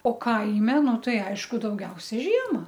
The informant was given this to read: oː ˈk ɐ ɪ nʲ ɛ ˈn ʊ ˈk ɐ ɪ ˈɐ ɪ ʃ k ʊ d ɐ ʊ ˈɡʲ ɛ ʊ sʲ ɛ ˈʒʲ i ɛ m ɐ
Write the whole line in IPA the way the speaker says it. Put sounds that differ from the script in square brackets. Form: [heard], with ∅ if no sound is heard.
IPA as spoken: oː ˈk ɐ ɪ [mʲ] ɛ ˈn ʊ [ˈt] ɐ ɪ ˈɐ ɪ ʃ k ʊ d ɐ ʊ ˈɡʲ ɛ ʊ sʲ ɛ ˈʒʲ i ɛ m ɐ